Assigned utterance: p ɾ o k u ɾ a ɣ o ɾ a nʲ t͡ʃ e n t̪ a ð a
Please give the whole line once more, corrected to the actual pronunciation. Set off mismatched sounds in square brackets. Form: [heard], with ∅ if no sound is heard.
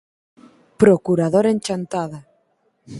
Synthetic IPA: p ɾ o k u ɾ a [ð] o ɾ [e] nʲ t͡ʃ [a] n t̪ a ð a